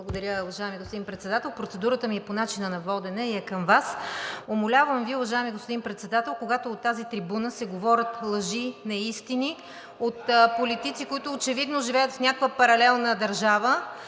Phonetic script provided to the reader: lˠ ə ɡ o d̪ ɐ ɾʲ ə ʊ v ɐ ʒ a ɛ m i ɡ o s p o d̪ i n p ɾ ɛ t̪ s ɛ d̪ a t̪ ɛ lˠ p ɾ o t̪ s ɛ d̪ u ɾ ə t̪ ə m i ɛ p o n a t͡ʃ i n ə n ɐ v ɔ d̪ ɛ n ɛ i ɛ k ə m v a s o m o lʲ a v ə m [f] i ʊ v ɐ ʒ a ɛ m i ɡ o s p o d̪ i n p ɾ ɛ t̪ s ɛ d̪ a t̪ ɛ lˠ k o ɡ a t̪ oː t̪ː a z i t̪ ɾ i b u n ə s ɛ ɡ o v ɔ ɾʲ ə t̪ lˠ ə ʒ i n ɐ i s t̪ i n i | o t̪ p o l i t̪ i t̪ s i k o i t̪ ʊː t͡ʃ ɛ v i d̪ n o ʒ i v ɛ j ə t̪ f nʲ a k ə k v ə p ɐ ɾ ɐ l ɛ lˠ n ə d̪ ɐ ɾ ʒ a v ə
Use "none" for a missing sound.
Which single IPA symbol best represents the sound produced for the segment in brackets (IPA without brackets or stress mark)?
v